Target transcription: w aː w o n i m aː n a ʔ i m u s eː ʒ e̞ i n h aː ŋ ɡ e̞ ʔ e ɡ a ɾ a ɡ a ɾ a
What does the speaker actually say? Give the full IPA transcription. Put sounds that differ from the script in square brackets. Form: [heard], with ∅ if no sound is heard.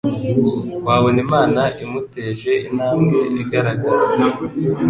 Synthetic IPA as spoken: w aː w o n i m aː n a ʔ i m u [t] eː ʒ e̞ i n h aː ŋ ɡ e̞ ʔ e ɡ a ɾ a ɡ a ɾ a